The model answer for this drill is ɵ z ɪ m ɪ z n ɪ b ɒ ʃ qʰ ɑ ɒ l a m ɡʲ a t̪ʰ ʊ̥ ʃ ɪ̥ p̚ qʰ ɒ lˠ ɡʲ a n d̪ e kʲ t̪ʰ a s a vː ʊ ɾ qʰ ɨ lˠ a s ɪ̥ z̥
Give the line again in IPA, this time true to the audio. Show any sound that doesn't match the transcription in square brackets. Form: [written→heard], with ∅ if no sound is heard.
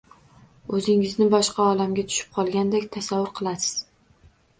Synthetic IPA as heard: ɵ z ɪ [m→ŋ] ɪ z n ɪ b ɒ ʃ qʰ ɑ ɒ l a m ɡʲ a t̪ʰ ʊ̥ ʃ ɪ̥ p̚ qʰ ɒ lˠ ɡʲ a n d̪ e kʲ t̪ʰ a s a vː ʊ ɾ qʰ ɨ lˠ a s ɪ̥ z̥